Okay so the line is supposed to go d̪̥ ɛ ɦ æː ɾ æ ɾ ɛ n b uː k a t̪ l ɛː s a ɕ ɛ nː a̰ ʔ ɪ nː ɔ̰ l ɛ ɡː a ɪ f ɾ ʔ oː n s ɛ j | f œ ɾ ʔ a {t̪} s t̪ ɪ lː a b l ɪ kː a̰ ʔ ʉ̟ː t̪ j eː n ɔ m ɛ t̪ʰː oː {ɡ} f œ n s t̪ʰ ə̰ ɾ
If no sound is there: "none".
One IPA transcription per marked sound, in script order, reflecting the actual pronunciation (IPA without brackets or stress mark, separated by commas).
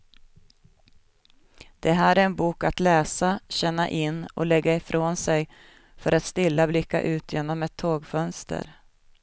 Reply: t̪, ɡ